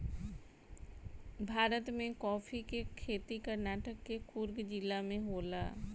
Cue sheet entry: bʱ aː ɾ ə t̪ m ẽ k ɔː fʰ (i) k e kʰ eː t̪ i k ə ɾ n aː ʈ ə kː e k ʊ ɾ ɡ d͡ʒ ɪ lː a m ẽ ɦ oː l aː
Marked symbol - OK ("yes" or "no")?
yes